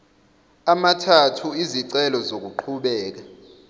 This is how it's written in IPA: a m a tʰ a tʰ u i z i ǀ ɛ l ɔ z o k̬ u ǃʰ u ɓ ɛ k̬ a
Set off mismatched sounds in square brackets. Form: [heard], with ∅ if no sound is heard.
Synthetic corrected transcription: a m a tʰ a tʰ u i z i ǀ ɛ l ɔ z o k̬ u ǃʰ u ɓ [ɛː] k̬ a